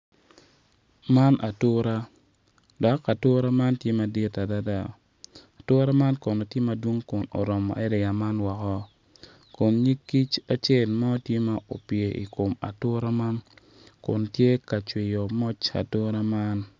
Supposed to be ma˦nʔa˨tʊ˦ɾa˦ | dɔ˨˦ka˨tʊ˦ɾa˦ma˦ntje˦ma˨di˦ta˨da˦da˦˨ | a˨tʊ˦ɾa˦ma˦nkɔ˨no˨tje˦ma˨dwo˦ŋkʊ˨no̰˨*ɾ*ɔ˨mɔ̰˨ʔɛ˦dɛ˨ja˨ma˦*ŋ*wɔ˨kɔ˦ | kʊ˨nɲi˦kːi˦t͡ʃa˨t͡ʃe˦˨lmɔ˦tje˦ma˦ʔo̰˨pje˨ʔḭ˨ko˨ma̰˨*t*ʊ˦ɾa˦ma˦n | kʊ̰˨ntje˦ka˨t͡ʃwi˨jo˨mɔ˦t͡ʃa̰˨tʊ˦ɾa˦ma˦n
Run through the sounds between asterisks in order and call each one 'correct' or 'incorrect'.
correct, incorrect: n, correct

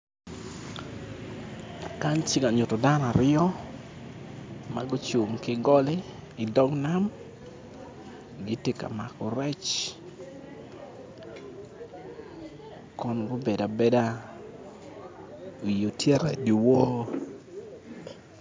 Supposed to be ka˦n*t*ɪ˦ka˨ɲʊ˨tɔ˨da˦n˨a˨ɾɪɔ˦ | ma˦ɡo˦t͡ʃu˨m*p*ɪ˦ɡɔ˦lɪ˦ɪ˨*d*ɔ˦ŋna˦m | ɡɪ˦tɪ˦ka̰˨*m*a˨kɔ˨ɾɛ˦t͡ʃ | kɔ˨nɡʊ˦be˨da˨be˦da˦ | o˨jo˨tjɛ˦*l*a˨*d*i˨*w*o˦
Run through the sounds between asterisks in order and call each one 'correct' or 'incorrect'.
incorrect: t͡ʃ, incorrect: k, correct, correct, incorrect: ɾ, correct, correct

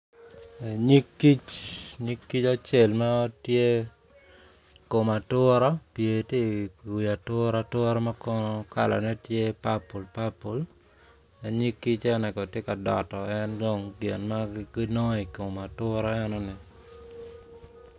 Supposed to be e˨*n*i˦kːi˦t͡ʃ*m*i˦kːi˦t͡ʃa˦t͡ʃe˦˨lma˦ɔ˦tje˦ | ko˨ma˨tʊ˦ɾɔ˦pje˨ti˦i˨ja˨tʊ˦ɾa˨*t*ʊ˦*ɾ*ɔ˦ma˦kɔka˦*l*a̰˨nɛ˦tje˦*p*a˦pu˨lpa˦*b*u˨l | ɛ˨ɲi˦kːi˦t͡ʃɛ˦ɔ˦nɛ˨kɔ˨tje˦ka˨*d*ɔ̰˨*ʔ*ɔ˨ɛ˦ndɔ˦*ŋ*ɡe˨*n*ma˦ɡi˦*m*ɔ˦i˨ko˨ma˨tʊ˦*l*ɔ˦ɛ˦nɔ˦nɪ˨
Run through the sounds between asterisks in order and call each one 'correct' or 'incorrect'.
incorrect: ɲ, incorrect: ɲ, correct, correct, correct, correct, incorrect: p, correct, incorrect: t, correct, correct, incorrect: n, incorrect: ɾ

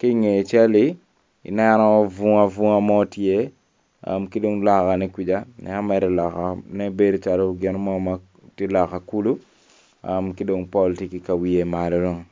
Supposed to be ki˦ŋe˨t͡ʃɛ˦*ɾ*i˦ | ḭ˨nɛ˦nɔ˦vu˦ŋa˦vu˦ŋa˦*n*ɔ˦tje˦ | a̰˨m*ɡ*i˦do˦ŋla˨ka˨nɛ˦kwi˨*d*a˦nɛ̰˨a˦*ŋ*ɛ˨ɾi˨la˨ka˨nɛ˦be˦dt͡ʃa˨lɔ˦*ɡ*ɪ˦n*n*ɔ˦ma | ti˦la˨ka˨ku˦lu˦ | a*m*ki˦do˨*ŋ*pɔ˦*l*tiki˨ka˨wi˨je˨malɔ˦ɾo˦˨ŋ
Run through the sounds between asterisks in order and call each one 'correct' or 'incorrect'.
incorrect: l, incorrect: m, incorrect: k, incorrect: d͡ʒ, incorrect: m, correct, incorrect: m, correct, correct, correct

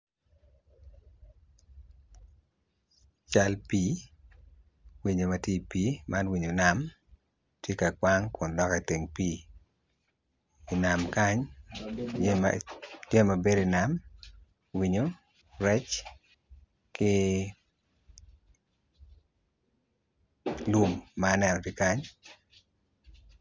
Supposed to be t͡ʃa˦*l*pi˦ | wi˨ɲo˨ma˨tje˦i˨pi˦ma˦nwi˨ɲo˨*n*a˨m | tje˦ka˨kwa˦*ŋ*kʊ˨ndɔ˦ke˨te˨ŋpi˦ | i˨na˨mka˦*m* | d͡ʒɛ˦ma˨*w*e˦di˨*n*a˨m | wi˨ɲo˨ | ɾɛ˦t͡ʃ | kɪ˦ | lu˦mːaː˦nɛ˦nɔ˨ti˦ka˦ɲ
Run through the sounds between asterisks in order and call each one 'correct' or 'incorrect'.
correct, correct, correct, incorrect: ɲ, incorrect: b, correct

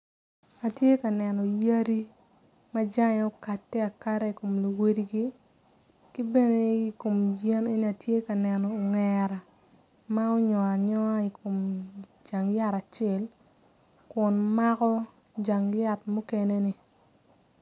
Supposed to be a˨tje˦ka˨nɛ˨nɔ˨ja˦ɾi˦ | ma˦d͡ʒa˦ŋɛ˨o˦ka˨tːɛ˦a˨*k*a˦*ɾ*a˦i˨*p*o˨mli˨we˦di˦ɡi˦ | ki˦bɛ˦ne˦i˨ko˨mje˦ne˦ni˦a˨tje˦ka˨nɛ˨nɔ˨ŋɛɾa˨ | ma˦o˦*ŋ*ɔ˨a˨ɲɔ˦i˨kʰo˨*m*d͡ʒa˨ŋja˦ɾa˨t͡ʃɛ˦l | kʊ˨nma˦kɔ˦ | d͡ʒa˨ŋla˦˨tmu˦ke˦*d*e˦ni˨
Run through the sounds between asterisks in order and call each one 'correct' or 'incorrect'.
correct, correct, incorrect: k, incorrect: ɲ, correct, incorrect: n

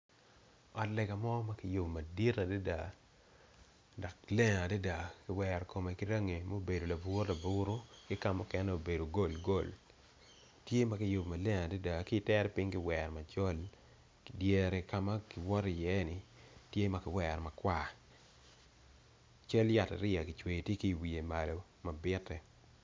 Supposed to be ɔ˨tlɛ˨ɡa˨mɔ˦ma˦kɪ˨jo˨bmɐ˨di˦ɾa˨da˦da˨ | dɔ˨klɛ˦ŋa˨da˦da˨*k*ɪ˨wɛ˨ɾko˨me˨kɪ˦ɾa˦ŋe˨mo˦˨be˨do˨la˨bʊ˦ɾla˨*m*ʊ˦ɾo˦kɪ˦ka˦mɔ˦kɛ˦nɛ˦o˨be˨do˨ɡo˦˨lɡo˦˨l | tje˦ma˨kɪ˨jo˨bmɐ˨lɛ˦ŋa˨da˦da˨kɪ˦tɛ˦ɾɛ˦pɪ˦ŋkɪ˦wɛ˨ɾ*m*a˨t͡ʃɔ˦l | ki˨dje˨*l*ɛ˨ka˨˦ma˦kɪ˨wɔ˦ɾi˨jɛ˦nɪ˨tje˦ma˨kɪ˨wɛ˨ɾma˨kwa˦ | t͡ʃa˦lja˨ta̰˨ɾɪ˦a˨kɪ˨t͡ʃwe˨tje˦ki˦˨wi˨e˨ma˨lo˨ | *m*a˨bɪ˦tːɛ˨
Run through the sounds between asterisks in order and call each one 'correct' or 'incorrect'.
correct, incorrect: b, correct, incorrect: ɾ, correct

